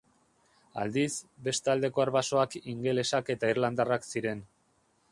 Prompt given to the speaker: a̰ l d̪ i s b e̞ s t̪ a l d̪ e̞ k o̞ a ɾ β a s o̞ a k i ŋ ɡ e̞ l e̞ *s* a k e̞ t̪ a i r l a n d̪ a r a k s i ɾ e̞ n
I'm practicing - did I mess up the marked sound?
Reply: no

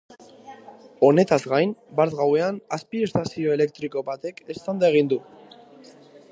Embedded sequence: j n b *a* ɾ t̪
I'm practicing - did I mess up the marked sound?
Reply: no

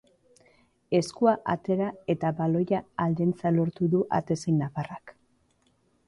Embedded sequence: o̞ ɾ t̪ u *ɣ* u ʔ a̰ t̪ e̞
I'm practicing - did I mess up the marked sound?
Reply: yes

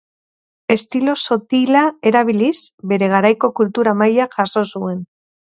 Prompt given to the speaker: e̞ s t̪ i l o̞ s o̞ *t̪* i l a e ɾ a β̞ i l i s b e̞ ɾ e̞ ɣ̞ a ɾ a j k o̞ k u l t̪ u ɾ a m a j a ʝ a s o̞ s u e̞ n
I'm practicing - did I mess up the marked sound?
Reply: no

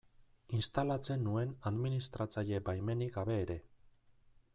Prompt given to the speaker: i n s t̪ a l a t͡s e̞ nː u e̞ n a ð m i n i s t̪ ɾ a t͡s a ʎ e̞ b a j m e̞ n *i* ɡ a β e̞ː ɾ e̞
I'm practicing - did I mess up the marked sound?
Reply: no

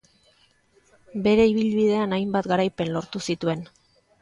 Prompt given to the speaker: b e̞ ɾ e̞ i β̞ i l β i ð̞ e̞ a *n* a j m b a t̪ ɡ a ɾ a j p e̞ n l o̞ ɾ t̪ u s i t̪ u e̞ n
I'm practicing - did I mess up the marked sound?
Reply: no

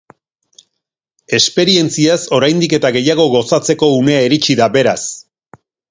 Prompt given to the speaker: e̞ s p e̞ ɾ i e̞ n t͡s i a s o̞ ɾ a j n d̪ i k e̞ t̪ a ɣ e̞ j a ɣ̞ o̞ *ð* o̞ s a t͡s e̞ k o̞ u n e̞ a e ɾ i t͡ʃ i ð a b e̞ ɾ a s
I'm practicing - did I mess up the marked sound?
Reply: yes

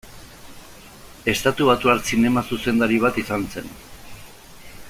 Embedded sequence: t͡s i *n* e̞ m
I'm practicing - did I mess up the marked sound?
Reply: no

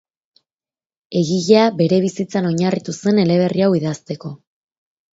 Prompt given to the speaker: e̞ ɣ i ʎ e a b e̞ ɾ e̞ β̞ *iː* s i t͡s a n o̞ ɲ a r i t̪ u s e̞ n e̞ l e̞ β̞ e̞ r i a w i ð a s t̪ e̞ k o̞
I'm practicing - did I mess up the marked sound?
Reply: yes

